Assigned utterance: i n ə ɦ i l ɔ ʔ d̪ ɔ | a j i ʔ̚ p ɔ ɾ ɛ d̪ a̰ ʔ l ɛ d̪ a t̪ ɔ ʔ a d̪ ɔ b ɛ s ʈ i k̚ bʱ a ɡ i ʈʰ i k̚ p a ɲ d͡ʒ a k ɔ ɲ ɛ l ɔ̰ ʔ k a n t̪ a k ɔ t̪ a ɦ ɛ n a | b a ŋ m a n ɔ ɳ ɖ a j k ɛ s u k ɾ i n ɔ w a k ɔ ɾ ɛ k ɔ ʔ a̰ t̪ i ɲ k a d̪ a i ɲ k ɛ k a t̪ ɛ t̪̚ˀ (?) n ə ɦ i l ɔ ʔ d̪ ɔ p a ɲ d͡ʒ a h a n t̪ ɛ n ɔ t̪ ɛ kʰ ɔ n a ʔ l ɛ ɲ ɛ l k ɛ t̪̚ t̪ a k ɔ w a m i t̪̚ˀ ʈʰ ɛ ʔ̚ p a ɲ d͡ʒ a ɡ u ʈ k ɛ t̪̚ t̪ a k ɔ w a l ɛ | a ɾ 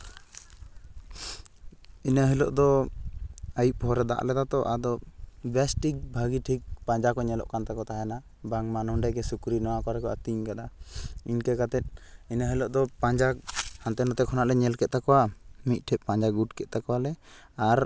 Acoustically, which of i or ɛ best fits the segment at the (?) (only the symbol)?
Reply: i